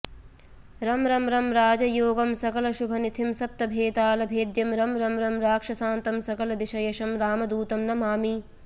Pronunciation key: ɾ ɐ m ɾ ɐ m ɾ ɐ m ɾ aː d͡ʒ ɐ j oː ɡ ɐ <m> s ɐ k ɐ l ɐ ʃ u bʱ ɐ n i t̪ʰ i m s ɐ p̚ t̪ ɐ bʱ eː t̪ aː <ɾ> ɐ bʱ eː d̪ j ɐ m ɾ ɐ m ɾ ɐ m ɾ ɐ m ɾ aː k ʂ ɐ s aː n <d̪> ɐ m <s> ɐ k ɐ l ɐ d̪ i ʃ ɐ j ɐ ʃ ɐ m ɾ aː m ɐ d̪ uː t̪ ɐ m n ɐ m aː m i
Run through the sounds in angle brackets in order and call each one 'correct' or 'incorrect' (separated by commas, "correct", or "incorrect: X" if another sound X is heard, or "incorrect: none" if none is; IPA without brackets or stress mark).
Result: correct, incorrect: l, incorrect: t̪, correct